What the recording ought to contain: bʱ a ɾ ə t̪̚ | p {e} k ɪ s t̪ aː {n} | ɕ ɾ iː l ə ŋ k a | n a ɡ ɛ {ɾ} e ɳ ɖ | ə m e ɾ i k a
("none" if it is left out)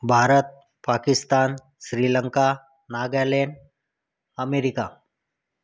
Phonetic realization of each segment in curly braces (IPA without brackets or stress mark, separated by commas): a, n, l